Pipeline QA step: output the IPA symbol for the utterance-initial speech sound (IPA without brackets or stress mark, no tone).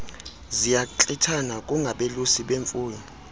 z